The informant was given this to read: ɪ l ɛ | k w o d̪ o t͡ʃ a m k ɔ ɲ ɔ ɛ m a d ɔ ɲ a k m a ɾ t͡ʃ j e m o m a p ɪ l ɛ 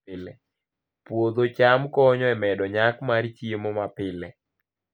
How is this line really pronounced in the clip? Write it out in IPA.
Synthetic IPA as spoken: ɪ l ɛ | p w o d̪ o t͡ʃ a m k ɔ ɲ ɔ ɛ m ɛ d ɔ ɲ a k m a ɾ t͡ʃ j e m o m a p ɪ l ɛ